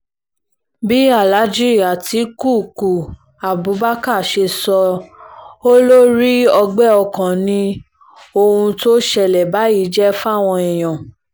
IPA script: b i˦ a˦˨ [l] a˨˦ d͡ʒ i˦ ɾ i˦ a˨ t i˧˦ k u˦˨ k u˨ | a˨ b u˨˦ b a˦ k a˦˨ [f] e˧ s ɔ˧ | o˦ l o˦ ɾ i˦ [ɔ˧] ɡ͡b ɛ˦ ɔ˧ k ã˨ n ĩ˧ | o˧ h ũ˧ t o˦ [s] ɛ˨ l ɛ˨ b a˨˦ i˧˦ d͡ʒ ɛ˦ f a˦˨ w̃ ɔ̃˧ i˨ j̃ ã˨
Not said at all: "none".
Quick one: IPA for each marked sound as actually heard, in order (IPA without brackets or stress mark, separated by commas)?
l, ʃ, ɔ˧, ʃ